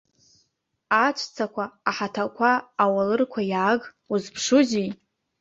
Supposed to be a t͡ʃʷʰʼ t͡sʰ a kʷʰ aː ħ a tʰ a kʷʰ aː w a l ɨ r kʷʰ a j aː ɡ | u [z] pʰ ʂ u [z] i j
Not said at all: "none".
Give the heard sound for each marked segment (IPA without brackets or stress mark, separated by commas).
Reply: z, z